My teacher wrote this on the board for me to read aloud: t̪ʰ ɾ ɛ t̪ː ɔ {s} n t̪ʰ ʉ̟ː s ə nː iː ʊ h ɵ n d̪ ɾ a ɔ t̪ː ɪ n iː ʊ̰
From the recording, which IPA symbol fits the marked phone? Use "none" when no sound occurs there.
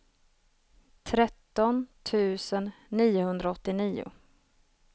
none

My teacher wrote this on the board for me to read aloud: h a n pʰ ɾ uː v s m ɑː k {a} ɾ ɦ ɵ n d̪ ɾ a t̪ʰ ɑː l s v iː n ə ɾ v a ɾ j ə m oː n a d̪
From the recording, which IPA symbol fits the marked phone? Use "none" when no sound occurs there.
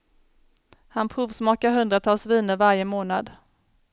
a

